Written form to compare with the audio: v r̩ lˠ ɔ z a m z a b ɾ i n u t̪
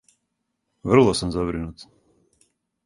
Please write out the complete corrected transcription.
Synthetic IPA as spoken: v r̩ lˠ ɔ s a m z a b ɾ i n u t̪